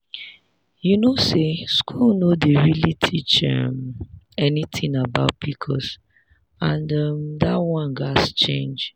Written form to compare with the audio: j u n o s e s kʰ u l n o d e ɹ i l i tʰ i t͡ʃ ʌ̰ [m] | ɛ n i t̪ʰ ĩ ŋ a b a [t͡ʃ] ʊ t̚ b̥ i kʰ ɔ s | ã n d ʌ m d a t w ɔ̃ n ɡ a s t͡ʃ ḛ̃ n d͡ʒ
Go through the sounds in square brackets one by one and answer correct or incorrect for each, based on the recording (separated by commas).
correct, incorrect